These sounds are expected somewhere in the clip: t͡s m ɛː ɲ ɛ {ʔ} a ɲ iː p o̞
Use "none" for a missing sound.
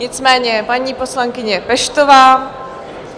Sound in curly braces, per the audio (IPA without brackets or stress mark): p